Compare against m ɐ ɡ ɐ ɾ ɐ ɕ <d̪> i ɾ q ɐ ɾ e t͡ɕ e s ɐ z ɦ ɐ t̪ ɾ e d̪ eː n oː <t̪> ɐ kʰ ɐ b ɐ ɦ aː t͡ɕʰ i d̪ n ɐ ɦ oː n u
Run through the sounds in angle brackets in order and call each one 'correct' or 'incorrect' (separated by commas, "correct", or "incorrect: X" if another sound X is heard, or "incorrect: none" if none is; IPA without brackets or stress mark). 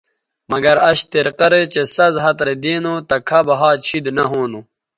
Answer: incorrect: t̪, correct